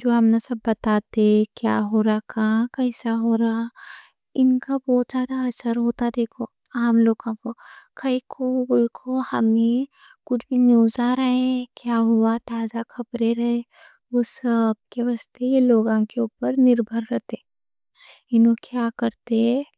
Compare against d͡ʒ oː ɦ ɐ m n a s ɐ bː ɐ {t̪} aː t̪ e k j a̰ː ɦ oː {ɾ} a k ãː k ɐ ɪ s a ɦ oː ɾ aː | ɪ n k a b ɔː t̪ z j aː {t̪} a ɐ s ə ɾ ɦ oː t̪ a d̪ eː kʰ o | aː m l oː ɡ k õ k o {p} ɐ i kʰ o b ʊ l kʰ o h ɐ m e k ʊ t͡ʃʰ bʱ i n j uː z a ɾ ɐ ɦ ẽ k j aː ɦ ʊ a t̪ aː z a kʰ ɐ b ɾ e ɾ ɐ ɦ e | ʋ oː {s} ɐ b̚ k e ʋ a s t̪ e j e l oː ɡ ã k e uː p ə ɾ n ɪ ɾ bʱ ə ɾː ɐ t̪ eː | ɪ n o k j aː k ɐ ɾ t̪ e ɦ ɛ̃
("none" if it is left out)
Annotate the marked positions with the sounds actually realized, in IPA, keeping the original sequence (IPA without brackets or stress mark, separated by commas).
t̪, ɾ, d̪, k, s